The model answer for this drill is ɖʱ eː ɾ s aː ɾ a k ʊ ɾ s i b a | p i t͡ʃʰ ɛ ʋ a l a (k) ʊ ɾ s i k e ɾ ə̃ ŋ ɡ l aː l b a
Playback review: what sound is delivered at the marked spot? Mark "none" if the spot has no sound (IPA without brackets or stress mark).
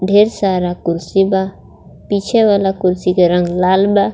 k